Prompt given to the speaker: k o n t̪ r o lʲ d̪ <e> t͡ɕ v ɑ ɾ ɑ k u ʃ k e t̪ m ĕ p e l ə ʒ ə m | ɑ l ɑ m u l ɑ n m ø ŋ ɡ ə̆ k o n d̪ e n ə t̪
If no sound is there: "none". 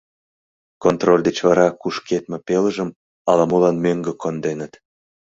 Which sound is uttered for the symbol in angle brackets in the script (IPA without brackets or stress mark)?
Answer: e